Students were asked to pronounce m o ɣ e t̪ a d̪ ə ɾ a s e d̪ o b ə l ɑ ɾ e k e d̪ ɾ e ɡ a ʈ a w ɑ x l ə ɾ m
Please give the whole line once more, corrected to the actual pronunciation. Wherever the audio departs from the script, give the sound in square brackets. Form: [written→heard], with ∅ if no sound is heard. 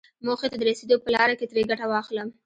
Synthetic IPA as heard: m o [ɣ→x] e t̪ a d̪ ə ɾ a s e d̪ o [b→p] ə l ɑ ɾ [e→a] k e [d̪→t̪] ɾ e ɡ a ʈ a w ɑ x l ə [ɾ→∅] m

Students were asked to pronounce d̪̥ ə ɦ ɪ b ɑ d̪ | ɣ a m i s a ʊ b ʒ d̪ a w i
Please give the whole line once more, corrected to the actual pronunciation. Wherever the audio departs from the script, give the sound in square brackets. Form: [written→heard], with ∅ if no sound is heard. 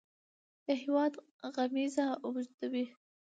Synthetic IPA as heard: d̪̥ ə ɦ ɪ [b→w] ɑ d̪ | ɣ a m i [s→z] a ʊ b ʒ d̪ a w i

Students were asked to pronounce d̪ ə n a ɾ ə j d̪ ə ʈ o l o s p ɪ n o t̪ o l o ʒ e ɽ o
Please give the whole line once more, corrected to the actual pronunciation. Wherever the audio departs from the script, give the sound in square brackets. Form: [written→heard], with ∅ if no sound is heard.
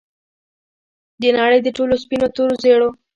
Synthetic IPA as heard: d̪ ə n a [ɾ→ɽ] ə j d̪ ə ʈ o l o s p [ɪ→i] n o t̪ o [l→ɾ] o [ʒ→z] e ɽ o

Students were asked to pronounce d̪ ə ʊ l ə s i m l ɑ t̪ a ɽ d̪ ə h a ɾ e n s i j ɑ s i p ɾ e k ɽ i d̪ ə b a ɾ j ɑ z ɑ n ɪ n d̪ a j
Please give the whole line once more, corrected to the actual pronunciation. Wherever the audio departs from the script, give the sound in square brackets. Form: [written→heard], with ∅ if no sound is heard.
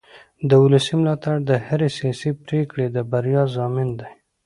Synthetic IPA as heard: d̪ ə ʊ l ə s i m l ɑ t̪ a ɽ d̪ ə h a ɾ e [n→∅] s i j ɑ s i p ɾ e k ɽ [i→e] d̪ ə b a ɾ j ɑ z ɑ [n→m] ɪ n d̪ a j

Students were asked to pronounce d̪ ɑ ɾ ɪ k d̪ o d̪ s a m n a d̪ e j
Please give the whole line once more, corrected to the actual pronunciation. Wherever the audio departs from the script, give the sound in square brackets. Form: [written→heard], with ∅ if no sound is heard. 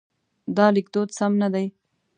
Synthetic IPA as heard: d̪ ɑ [ɾ→l] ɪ k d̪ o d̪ s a m n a d̪ [e→a] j

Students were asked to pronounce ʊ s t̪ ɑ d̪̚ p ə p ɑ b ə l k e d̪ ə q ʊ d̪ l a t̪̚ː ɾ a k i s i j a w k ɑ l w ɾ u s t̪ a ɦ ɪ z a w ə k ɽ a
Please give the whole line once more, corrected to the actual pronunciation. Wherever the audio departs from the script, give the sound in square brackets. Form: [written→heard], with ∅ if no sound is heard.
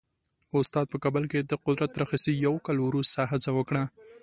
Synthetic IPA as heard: ʊ s t̪ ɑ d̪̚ p ə [p→k] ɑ b ə l k e d̪ ə q ʊ d̪ [l→ɾ] a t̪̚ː ɾ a [k→x] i s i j a w k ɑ l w ɾ u s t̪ a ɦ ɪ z a w ə k ɽ a

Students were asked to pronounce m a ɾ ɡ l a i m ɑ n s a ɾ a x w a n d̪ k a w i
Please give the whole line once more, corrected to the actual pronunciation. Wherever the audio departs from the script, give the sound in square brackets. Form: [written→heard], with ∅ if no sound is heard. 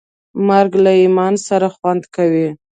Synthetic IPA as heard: m a ɾ ɡ l a i m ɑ n s a ɾ a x w a n d̪ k a w i

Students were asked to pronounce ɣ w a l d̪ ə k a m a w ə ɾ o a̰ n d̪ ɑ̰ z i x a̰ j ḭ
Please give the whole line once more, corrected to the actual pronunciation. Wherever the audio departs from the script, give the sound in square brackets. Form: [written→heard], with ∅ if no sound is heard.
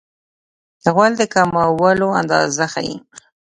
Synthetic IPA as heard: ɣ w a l d̪ ə k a m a w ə [ɾ→l] o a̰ n d̪ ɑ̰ z [i→a] x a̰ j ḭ

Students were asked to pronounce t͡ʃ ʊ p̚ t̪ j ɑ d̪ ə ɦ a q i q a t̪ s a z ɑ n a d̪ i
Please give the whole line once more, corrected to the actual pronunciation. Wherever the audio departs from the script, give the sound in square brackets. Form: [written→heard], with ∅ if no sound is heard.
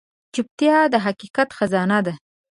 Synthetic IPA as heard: t͡ʃ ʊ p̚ t̪ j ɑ d̪ ə ɦ a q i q a t̪ [s→x] a z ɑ n a d̪ [i→a]

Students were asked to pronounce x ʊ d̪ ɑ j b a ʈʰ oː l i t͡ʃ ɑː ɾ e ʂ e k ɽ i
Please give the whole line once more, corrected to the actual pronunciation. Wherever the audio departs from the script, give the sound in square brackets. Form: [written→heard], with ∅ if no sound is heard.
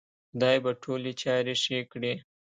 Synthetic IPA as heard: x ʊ d̪ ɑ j b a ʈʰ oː l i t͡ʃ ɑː ɾ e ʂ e k ɽ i

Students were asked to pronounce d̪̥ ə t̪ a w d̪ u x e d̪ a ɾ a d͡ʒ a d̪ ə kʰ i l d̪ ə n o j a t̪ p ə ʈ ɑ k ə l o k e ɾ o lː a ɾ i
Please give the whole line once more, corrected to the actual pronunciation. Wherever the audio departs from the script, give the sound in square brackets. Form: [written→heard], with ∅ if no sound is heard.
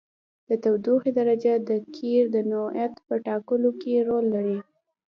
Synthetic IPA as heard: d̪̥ ə t̪ a w d̪ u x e d̪ a ɾ a d͡ʒ a d̪ ə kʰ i [l→ɾ] d̪ ə n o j a t̪ p ə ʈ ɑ k ə l o k e ɾ o lː a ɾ i

